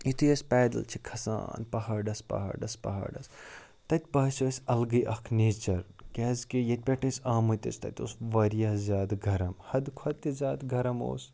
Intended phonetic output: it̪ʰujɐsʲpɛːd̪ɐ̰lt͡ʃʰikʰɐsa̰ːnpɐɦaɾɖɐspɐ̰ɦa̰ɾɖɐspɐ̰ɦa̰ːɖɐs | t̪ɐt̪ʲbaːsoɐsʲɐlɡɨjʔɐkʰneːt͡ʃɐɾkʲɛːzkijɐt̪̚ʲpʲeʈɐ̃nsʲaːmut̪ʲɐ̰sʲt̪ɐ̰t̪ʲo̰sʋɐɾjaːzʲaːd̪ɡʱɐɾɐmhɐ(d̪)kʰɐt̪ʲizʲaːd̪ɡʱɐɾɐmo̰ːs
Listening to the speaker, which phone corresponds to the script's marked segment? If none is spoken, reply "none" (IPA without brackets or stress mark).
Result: d̪